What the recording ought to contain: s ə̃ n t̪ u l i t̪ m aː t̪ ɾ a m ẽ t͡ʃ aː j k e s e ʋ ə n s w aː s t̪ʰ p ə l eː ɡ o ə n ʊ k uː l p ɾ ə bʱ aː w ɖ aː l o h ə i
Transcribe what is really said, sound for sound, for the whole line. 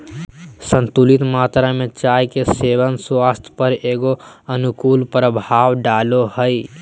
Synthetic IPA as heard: s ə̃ n t̪ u l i t̪ m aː t̪ ɾ a m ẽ t͡ʃ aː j k e s e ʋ ə n s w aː s t̪ʰ p ə ɾ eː ɡ o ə n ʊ k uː l p ɾ ə bʱ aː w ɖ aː l o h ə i